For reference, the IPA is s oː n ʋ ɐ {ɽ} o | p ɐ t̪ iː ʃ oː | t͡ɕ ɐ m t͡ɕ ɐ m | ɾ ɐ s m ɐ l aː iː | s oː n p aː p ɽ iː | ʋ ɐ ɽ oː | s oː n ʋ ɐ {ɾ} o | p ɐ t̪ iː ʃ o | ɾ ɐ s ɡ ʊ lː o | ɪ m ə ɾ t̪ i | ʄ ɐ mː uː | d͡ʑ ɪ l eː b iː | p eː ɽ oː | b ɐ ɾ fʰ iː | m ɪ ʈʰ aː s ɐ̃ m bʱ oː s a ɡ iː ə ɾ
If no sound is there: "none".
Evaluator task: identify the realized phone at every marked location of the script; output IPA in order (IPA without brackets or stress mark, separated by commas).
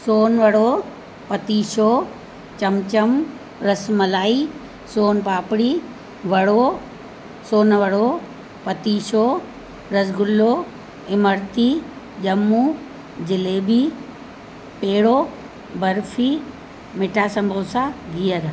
ɽ, ɽ